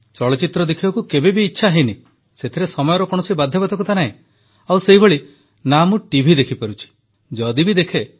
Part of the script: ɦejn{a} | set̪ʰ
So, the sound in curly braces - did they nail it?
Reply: no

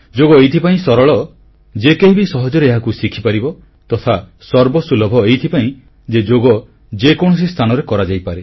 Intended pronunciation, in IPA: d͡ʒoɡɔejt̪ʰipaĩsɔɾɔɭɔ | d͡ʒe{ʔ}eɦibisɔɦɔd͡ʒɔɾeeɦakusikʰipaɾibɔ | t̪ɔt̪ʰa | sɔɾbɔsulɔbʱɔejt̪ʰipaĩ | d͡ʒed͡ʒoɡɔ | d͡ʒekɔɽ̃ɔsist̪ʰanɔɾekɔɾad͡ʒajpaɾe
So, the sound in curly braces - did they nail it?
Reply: no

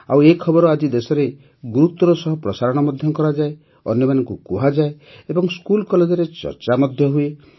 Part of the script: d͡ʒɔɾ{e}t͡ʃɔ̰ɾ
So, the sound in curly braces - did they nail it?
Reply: yes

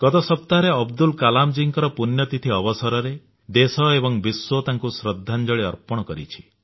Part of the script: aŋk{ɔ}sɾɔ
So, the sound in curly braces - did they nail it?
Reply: no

